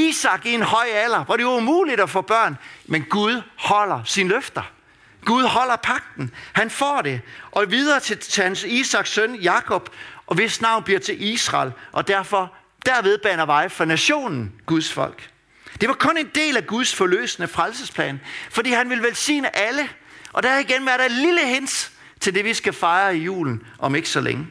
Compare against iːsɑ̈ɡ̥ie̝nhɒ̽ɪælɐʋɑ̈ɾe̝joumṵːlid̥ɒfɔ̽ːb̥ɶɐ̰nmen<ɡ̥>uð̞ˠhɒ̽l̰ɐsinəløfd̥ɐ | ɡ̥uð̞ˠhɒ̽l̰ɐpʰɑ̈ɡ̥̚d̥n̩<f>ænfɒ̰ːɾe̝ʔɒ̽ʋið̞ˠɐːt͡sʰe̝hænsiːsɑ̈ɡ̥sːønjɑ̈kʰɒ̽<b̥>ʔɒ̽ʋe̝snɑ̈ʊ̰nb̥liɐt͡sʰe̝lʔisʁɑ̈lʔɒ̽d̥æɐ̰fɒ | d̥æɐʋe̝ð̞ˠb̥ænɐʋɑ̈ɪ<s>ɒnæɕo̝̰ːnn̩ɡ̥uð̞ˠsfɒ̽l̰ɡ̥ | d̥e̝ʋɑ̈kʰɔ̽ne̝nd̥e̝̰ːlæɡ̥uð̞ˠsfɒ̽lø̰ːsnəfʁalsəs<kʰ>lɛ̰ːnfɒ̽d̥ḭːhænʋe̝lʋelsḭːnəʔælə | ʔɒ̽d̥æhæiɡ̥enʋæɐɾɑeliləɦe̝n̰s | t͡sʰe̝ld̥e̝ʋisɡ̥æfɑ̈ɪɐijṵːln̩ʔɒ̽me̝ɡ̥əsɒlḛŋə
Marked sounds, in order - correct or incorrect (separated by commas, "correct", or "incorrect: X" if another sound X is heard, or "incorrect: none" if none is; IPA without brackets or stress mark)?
correct, incorrect: h, correct, incorrect: f, incorrect: pʰ